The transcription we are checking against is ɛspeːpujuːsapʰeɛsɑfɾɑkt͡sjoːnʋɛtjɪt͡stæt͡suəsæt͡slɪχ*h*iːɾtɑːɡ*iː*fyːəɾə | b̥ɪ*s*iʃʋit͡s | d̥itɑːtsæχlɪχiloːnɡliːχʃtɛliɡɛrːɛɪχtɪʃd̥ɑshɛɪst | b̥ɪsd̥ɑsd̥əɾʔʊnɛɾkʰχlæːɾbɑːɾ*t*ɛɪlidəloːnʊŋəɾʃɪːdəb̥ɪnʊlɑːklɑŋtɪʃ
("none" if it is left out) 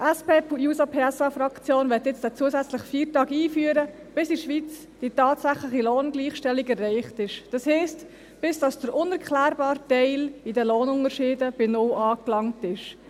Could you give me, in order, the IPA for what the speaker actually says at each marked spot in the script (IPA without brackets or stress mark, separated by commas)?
f, iː, s, t